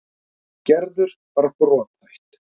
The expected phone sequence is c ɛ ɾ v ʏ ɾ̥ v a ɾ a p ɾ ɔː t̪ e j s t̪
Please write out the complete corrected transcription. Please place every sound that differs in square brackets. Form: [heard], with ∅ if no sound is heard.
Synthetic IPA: c ɛ ɾ [ð] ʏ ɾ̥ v a ɾ a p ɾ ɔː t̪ [a] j [h] t̪